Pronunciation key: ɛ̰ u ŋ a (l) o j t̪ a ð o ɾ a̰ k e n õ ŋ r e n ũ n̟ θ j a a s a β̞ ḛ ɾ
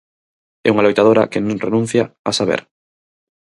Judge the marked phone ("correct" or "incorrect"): correct